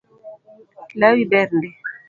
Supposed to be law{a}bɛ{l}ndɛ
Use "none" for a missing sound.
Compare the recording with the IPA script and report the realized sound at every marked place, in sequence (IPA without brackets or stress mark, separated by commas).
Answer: i, ɾ